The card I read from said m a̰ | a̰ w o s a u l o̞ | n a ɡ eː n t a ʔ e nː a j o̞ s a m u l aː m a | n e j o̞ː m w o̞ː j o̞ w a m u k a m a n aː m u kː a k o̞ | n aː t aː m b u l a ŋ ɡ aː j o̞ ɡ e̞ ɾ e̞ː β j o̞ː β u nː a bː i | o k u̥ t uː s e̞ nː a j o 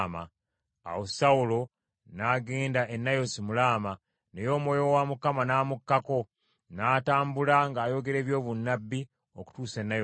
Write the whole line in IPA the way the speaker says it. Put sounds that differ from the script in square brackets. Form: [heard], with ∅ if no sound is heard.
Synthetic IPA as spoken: m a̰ | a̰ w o s a u l o̞ | n a ɡ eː n [d] a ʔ e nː a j o̞ s [i] m u l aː m a | n e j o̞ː m w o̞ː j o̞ w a m u k a m a n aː m u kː a k o̞ | n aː t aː m b u l a ŋ ɡ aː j o̞ ɡ e̞ ɾ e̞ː β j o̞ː β u nː a bː i | o k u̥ t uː s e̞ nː a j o

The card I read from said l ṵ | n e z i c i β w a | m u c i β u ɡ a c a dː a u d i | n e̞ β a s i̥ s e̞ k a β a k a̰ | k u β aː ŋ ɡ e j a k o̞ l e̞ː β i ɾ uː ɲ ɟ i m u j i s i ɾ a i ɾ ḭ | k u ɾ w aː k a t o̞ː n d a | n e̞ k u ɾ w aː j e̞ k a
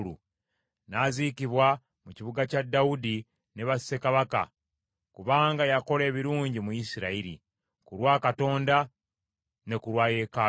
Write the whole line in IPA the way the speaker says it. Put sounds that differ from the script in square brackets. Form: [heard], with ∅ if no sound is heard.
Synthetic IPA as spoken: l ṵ | n [a] z i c i β w a | m u c i β u ɡ a c a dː a u d i | n e̞ β a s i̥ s e̞ k a β a k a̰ | k u β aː ŋ ɡ [a] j a k o̞ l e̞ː β i ɾ uː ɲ ɟ i m u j i s i ɾ a i ɾ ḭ | k u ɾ w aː k a t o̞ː n d a | n e̞ k u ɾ w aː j e̞ k a

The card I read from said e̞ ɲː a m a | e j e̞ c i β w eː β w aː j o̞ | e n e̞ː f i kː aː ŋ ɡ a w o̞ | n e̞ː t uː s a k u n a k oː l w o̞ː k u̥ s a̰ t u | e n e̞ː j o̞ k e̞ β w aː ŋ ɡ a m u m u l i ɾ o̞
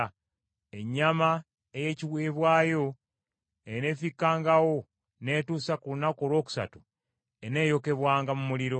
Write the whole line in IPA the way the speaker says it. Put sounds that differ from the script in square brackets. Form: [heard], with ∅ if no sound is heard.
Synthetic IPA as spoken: e̞ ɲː a m a | e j e̞ c i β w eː β w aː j o̞ | e n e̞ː f i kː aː ŋ ɡ a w o̞ | n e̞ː t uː s a k u n a k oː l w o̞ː k u̥ s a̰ t u | e n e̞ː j o̞ k e̞ β w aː ŋ ɡ a m u m u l i ɾ o̞

